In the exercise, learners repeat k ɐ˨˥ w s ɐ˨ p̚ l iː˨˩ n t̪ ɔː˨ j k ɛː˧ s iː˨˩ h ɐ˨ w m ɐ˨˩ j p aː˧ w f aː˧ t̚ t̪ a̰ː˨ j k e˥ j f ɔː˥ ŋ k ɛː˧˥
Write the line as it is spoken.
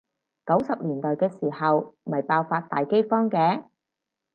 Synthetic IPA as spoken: k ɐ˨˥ w s ɐ˨ p̚ l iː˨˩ n t̪ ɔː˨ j k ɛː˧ s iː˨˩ h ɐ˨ w m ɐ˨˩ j p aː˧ w f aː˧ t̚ t̪ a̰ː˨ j k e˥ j f ɔː˥ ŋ k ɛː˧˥